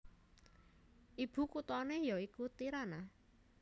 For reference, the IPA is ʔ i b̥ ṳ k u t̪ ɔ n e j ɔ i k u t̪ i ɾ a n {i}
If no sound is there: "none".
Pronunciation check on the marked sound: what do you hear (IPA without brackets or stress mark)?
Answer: a